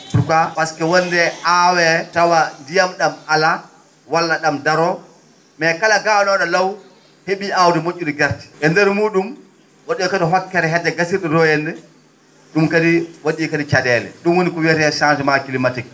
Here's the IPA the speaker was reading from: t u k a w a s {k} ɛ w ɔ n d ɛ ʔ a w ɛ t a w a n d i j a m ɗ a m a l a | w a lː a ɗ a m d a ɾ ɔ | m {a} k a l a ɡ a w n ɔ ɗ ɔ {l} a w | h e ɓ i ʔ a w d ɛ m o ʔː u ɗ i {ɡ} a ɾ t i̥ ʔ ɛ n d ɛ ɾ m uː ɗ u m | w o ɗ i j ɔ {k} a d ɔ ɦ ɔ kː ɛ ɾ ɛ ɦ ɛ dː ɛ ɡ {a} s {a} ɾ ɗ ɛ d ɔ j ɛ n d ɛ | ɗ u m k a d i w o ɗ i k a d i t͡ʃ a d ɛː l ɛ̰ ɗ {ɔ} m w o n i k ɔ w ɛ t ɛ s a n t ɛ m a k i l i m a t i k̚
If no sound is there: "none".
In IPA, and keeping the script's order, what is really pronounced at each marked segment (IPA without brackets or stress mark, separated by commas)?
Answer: k, ɛ, l, ɡ, k, a, i, u